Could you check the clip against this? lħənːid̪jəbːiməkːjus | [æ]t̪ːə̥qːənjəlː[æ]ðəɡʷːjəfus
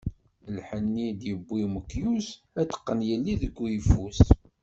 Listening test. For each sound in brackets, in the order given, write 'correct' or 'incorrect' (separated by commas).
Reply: correct, incorrect